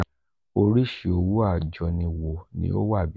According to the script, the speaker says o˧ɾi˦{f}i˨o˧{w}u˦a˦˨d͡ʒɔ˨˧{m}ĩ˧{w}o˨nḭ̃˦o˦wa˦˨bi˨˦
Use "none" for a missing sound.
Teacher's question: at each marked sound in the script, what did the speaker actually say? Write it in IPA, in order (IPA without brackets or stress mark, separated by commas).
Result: ʃ, w, n, w